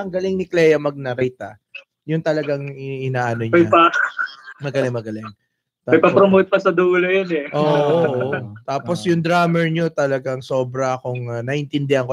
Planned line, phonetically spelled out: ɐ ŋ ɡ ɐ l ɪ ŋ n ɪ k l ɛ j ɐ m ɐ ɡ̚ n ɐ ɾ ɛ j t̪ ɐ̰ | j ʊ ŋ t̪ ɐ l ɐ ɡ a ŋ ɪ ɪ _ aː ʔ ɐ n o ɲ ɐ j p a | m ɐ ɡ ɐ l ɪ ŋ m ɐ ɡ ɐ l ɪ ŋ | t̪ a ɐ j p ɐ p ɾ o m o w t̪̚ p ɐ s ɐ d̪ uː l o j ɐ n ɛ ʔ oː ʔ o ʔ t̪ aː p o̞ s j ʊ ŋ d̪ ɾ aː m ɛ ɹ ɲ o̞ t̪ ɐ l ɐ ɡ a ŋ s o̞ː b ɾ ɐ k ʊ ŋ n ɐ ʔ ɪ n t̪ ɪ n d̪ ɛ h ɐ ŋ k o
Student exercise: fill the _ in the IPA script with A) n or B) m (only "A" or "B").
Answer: A